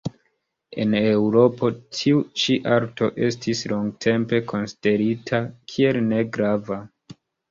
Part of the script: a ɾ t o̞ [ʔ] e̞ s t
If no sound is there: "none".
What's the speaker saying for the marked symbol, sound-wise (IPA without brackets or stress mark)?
ʔ